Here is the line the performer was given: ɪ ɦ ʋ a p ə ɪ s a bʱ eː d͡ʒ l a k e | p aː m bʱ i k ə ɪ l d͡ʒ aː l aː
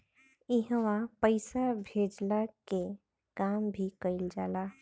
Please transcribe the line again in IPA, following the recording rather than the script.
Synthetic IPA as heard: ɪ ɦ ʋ a p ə ɪ s a bʱ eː d͡ʒ l a k e | k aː m bʱ i k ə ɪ l d͡ʒ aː l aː